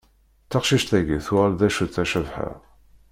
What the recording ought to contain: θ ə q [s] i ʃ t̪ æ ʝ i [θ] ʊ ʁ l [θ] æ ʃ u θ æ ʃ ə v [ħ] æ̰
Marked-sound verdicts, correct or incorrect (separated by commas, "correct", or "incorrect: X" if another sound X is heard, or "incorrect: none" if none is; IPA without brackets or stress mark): incorrect: ʃ, correct, incorrect: ð, correct